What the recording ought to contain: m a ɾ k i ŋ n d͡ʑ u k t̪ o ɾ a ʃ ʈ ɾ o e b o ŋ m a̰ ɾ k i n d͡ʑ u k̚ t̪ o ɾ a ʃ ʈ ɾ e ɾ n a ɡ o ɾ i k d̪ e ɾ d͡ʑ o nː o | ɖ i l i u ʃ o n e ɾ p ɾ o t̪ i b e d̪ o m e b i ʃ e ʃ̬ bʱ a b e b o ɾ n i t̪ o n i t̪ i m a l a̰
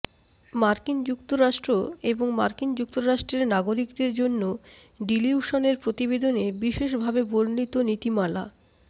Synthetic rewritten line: m a ɾ k i n d͡ʑ u k t̪ o ɾ a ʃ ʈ ɾ o e b o ŋ m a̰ ɾ k i n d͡ʑ u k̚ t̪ o ɾ a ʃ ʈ ɾ e ɾ n a ɡ o ɾ i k d̪ e ɾ d͡ʑ o nː o | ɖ i l i u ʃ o n e ɾ p ɾ o t̪ i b e d̪ o n e b i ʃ e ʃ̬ bʱ a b e b o ɾ n i t̪ o n i t̪ i m a l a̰

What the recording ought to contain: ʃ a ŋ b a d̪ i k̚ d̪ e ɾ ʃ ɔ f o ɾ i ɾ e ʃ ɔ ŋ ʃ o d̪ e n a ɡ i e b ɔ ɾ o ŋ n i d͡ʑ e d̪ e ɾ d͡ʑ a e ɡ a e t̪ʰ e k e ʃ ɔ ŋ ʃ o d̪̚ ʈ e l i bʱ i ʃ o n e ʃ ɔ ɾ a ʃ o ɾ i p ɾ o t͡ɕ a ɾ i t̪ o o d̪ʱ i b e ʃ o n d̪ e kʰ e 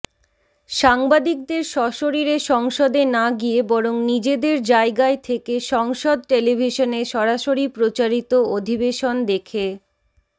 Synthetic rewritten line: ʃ a ŋ b a d̪ i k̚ d̪ e ɾ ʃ ɔ ʃ o ɾ i ɾ e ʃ ɔ ŋ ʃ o d̪ e n a ɡ i e b ɔ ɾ o ŋ n i d͡ʑ e d̪ e ɾ d͡ʑ a e ɡ a e t̪ʰ e k e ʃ ɔ ŋ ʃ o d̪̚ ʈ e l i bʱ i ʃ o n e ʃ ɔ ɾ a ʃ o ɾ i p ɾ o t͡ɕ a ɾ i t̪ o o d̪ʱ i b e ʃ o n d̪ e kʰ e

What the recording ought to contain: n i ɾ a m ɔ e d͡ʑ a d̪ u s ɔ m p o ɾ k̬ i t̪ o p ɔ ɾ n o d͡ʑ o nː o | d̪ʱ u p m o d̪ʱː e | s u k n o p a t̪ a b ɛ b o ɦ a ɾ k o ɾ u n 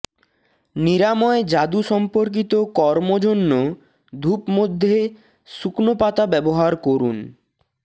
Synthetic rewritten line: n i ɾ a m ɔ e d͡ʑ a d̪ u ʃ ɔ m p o ɾ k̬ i t̪ o k ɔ ɾ m o d͡ʑ o nː o | d̪ʱ u p m o d̪ʱː e | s u k n o p a t̪ a b ɛ b o ɦ a ɾ k o ɾ u n

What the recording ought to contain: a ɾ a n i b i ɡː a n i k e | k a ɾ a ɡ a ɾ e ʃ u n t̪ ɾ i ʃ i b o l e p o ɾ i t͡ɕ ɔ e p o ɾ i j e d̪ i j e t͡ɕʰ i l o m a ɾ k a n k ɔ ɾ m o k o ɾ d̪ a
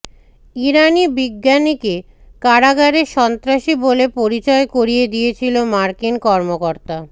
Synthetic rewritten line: i ɾ a n i b i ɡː a n i k e | k a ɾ a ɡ a ɾ e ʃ ɔ n t̪ ɾ a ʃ i b o l e p o ɾ i t͡ɕ ɔ e k o ɾ i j e d̪ i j e t͡ɕʰ i l o m a ɾ k i n k ɔ ɾ m o k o ɾ t̪ a

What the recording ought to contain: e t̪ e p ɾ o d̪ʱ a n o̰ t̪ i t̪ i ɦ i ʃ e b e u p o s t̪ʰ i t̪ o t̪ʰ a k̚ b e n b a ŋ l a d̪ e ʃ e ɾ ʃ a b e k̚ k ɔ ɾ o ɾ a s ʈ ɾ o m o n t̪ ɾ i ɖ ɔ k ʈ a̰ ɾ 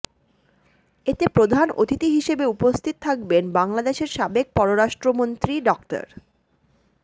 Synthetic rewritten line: e t̪ e p ɾ o d̪ʱ a n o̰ t̪ i t̪ i ɦ i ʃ e b e u p o s t̪ʰ i t̪ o t̪ʰ a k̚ b e n b a ŋ l a d̪ e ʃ e ɾ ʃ a b e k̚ p ɔ ɾ o ɾ a ʃ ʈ ɾ o m o n t̪ ɾ i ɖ ɔ k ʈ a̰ ɾ

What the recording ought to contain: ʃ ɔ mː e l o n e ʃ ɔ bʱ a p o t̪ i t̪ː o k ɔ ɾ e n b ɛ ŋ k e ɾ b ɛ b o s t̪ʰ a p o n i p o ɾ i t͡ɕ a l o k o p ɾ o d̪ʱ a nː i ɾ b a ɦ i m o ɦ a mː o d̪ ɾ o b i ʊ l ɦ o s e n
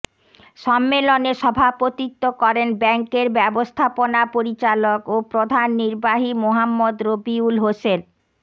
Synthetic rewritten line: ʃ ɔ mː e l o n e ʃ ɔ bʱ a p o t̪ i t̪ː o k ɔ ɾ e n b ɛ ŋ k e ɾ b ɛ b o s t̪ʰ a p o n a p o ɾ i t͡ɕ a l o k o p ɾ o d̪ʱ a nː i ɾ b a ɦ i m o ɦ a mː o d̪ ɾ o b i u l ɦ o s e n

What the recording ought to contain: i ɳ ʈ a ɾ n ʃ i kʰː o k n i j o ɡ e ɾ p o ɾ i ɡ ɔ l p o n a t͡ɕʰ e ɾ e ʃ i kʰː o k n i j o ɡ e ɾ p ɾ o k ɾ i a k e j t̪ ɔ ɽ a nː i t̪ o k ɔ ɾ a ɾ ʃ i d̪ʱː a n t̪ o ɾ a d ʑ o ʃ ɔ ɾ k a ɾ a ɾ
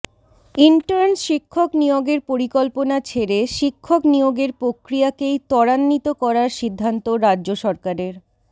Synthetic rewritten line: i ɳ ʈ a ɾ n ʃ i kʰː o k n i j o ɡ e ɾ p o ɾ i k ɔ l p o n a t͡ɕʰ e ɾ e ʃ i kʰː o k n i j o ɡ e ɾ p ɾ o k ɾ i a k e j t̪ ɔ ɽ a nː i t̪ o k ɔ ɾ a ɾ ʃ i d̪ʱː a n t̪ o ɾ a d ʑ o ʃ ɔ ɾ k a ɾ e ɾ

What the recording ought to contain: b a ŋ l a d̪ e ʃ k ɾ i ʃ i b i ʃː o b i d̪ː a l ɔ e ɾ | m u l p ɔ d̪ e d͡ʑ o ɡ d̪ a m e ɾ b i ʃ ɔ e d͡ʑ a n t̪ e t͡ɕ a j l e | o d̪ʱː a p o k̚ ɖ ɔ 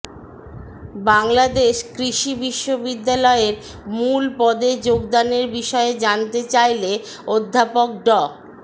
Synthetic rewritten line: b a ŋ l a d̪ e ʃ k ɾ i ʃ i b i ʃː o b i d̪ː a l ɔ e ɾ | m u l p ɔ d̪ e d͡ʑ o ɡ d̪ a n e ɾ b i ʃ ɔ e d͡ʑ a n t̪ e t͡ɕ a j l e | o d̪ʱː a p o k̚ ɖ ɔ

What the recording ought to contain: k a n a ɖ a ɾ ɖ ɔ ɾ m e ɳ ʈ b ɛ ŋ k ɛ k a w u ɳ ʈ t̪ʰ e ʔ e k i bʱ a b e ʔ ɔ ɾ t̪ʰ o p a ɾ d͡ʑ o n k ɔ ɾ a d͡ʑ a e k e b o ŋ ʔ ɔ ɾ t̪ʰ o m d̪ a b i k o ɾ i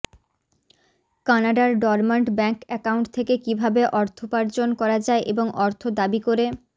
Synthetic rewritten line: k a n a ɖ a ɾ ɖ ɔ ɾ m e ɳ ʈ b ɛ ŋ k ɛ k a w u ɳ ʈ t̪ʰ e k e k i bʱ a b e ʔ ɔ ɾ t̪ʰ o p a ɾ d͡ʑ o n k ɔ ɾ a d͡ʑ a e ʔ e b o ŋ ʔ ɔ ɾ t̪ʰ o d̪ a b i k o ɾ e

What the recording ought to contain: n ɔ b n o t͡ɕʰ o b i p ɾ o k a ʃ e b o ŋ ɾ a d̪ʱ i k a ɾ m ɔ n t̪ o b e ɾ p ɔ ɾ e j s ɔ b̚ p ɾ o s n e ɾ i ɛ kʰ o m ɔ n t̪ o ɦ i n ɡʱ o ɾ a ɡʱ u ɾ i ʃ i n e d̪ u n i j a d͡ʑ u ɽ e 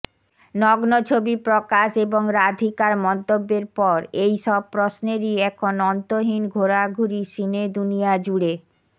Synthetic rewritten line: n ɔ ɡ n o t͡ɕʰ o b i p ɾ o k a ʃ e b o ŋ ɾ a d̪ʱ i k a ɾ m ɔ n t̪ o bː e ɾ p ɔ ɾ e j ʃ ɔ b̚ p ɾ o s n e ɾ i ɛ kʰ o n ɔ n t̪ o ɦ i n ɡʱ o ɾ a ɡʱ u ɾ i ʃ i n e d̪ u n i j a d͡ʑ u ɽ e

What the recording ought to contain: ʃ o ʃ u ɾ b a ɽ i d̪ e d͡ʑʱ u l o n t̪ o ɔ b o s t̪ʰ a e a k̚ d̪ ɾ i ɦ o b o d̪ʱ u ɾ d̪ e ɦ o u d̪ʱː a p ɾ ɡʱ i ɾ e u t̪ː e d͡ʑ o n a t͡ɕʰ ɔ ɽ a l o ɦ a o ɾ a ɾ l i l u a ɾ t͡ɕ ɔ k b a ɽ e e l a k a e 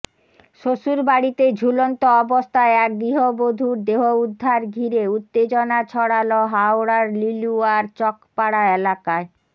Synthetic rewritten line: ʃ o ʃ u ɾ b a ɽ i t̪ e d͡ʑʱ u l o n t̪ o ɔ b o s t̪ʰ a e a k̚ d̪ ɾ i ɦ o b o d̪ʱ u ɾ d̪ e ɦ o u d̪ʱː a ɾ ɡʱ i ɾ e u t̪ː e d͡ʑ o n a t͡ɕʰ ɔ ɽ a l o ɦ a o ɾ a ɾ l i l u a ɾ t͡ɕ ɔ k p a ɽ a e l a k a e

